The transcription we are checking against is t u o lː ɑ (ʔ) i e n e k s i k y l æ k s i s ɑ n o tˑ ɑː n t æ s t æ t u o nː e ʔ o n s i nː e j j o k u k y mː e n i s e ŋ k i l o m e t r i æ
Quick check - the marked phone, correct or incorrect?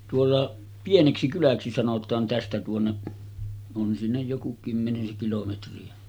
incorrect